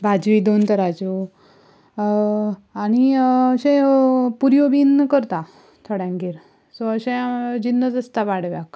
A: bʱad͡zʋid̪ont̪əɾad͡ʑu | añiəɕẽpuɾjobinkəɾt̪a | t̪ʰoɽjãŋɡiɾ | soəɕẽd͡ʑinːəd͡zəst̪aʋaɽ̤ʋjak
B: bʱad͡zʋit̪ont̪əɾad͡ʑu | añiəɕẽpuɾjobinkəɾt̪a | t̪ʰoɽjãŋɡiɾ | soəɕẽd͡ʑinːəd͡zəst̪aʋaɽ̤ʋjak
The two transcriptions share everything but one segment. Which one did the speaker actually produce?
A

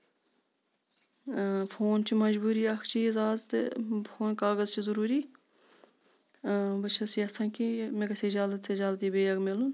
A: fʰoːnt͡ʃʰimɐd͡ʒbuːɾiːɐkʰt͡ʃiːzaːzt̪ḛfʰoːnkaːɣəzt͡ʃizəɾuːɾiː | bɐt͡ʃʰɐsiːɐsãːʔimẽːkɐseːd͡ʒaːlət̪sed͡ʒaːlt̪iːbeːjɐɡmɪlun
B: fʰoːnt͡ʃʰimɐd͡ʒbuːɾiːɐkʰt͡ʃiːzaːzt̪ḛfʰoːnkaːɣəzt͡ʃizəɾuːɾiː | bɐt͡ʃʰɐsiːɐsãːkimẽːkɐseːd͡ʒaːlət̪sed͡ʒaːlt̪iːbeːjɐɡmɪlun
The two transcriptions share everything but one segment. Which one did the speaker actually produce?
B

